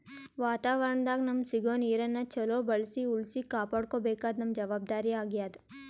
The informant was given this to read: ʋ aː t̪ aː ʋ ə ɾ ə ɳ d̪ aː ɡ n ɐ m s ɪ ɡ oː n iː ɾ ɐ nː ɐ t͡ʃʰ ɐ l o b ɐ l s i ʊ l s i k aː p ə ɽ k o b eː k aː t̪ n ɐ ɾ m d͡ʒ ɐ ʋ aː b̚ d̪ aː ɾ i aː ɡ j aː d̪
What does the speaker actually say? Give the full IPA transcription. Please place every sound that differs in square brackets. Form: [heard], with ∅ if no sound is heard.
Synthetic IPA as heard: ʋ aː t̪ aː ʋ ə ɾ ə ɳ d̪ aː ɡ n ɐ m s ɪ ɡ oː n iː ɾ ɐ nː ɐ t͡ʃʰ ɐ l o b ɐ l s i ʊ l s i k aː p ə ɽ k o b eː k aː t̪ n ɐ [∅] m d͡ʒ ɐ ʋ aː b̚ d̪ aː ɾ i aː ɡ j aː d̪